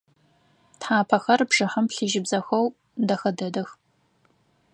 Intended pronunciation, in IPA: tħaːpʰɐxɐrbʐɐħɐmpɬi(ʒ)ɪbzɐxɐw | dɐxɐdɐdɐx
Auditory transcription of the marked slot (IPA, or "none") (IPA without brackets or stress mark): ʒ